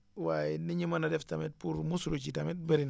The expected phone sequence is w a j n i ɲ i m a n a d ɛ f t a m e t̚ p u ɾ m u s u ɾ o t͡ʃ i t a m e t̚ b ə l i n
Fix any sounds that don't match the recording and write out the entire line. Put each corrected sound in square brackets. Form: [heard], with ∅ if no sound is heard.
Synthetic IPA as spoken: w a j n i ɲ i m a n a d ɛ f t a m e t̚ p u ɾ m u s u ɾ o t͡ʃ i t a m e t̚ b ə [ɾ] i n